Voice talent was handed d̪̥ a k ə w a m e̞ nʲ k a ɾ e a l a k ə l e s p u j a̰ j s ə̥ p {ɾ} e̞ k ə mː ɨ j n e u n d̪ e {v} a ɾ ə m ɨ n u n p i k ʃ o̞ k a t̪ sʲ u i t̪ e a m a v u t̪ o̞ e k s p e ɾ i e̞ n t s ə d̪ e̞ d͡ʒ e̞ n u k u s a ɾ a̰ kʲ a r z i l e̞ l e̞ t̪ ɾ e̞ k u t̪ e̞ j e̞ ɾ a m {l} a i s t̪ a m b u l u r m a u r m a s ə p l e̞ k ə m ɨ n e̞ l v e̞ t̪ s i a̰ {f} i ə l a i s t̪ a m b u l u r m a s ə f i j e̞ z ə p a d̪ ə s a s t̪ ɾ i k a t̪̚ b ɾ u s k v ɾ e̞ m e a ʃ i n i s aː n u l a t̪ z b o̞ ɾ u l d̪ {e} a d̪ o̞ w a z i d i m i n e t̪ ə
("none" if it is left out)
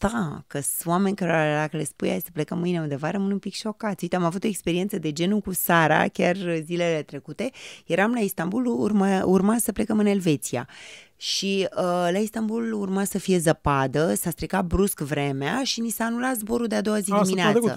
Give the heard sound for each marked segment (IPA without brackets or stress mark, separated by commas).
l, v, l, ʃ, e